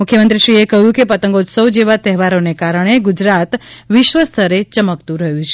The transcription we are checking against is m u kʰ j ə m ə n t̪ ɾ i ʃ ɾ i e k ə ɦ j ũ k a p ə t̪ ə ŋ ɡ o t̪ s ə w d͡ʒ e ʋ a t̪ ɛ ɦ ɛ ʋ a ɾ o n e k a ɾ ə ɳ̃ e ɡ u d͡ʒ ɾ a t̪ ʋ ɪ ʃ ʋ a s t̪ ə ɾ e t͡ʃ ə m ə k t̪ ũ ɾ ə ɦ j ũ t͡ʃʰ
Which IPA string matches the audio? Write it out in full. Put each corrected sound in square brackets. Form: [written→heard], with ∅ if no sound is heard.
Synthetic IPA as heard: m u kʰ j ə m ə n t̪ ɾ i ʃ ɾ i e k ə ɦ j ũ k [a→e] p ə t̪ ə ŋ ɡ o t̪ s ə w d͡ʒ e ʋ a t̪ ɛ ɦ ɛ ʋ a ɾ o n e k a ɾ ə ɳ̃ e ɡ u d͡ʒ ɾ a t̪ ʋ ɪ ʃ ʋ [a→ə] s [t̪→t̪ʰ] ə ɾ e t͡ʃ ə m ə k t̪ ũ ɾ ə ɦ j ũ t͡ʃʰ

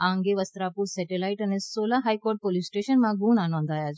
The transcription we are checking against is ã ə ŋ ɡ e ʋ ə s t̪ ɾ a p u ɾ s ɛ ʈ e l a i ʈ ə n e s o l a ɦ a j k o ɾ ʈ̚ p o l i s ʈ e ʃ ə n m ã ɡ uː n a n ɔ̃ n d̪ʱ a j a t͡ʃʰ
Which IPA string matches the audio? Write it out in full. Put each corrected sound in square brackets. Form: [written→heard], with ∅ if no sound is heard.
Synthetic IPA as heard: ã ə ŋ ɡ e ʋ ə s t̪ ɾ a p u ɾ s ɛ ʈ e l a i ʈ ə n e s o l a ɦ a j k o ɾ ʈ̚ p o l i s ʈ e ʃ ə n m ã ɡ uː n a n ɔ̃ n d̪ʱ a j a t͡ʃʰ

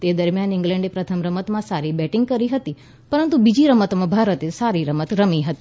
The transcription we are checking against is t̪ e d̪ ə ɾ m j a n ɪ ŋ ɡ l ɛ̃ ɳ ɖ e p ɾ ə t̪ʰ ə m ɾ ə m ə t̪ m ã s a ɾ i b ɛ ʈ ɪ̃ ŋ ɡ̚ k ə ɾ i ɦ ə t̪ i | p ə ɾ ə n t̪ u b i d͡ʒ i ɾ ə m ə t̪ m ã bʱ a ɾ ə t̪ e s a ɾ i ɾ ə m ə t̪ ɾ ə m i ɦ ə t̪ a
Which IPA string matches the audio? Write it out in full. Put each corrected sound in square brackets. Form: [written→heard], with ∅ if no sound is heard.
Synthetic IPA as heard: t̪ e d̪ ə ɾ m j a n ɪ ŋ ɡ l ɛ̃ ɳ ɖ e p ɾ ə t̪ʰ ə m ɾ ə m ə t̪ m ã s a ɾ i b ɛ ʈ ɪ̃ ŋ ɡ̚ k ə ɾ i ɦ ə t̪ i | p ə ɾ ə n t̪ u b i d͡ʒ i ɾ ə m ə t̪ m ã bʱ a ɾ ə t̪ e s a ɾ i ɾ ə m ə t̪ ɾ ə m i ɦ ə t̪ [a→i]

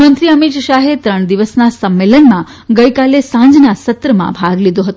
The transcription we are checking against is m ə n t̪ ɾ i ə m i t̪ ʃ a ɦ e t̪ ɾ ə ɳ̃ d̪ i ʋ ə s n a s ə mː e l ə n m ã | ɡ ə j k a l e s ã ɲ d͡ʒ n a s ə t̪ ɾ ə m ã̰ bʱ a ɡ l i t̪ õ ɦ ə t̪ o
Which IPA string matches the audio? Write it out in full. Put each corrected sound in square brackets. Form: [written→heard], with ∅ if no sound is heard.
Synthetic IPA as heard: m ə n t̪ ɾ i ə m i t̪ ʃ a ɦ e t̪ ɾ ə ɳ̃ d̪ i ʋ ə s n a s ə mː e l ə n m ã | ɡ ə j k a l e s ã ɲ d͡ʒ n a s ə t̪ ɾ ə m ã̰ bʱ a ɡ l i [t̪→d̪] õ ɦ ə t̪ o

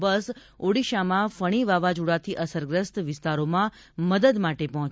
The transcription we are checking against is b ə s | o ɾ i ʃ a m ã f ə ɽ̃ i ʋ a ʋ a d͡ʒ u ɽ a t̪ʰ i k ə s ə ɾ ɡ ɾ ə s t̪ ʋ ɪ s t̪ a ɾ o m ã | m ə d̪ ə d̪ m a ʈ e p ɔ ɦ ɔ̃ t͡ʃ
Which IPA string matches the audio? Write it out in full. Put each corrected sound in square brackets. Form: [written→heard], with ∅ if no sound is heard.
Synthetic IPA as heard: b ə s | o [ɾ→ɽ] i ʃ a m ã f ə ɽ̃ i ʋ a ʋ a d͡ʒ u ɽ a t̪ʰ i [k→ʔ] ə s ə ɾ ɡ ɾ ə s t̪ ʋ ɪ s t̪ a ɾ o m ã | m ə d̪ ə d̪ m a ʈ e p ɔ ɦ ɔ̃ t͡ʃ

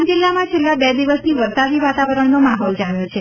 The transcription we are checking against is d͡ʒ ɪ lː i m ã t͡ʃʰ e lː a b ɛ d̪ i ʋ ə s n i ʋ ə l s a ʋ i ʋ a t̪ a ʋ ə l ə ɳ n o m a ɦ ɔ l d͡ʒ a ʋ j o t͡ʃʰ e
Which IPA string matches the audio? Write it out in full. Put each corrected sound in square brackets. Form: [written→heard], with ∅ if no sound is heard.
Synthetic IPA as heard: d͡ʒ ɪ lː [i→a] m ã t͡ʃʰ e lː a b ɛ d̪ i ʋ ə s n i ʋ ə [l→ɾ] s a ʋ i ʋ a t̪ a ʋ ə [l→ɾ] ə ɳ n o m a ɦ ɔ l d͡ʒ a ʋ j o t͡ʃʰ e

